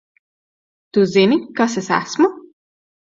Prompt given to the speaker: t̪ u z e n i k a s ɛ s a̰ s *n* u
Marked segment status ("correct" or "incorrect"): incorrect